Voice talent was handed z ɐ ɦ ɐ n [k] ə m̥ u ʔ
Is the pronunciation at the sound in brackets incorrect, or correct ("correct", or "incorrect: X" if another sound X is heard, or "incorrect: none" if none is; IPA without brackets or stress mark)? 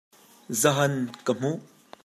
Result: correct